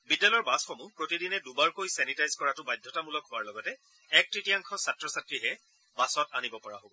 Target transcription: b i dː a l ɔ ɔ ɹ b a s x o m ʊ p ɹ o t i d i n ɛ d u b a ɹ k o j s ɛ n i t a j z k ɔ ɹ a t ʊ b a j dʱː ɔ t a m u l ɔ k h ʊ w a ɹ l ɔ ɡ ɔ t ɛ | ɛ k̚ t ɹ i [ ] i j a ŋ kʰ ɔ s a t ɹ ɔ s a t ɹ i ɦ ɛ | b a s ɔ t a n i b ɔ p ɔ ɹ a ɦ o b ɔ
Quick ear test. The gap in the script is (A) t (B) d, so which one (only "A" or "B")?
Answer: A